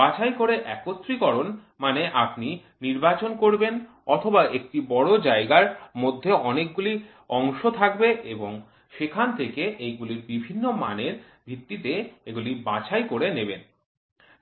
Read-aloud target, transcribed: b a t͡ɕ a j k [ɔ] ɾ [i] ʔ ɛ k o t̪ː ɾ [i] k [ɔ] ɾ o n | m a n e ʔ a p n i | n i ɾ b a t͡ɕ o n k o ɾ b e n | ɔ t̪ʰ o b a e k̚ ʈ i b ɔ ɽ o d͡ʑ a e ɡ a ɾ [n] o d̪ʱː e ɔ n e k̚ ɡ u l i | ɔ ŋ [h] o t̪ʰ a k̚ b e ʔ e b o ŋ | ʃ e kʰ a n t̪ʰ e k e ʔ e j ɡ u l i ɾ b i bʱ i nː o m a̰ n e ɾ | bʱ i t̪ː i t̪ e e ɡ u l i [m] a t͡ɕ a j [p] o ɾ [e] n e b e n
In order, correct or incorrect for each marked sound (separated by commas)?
incorrect, incorrect, correct, correct, incorrect, incorrect, incorrect, incorrect, correct